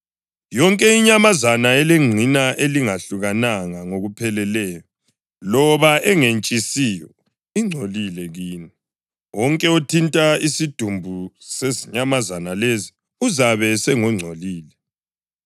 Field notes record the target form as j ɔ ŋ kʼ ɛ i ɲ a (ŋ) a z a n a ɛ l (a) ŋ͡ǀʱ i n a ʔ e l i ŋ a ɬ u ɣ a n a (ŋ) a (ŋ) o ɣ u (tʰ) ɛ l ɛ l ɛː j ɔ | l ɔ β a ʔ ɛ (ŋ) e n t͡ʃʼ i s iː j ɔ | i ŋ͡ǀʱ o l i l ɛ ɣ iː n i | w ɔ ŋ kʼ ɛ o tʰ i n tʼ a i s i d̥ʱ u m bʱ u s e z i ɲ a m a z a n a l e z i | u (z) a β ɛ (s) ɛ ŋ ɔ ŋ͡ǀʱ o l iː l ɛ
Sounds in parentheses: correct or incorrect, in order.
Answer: incorrect, incorrect, correct, correct, incorrect, correct, correct, correct

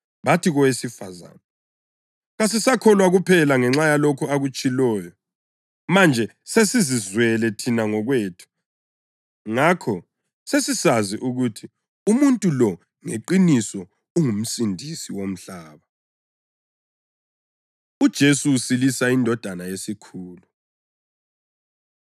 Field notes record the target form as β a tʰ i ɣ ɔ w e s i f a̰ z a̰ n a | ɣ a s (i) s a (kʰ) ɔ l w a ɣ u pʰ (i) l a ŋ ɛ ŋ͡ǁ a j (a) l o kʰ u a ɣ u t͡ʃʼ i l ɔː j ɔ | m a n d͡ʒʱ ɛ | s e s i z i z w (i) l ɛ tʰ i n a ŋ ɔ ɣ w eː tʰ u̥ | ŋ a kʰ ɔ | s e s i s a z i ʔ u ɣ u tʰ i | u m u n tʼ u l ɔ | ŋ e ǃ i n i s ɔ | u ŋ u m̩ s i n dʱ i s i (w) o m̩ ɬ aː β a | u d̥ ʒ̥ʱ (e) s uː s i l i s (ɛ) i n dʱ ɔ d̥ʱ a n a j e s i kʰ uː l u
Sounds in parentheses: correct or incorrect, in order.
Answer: correct, correct, incorrect, correct, incorrect, correct, correct, incorrect

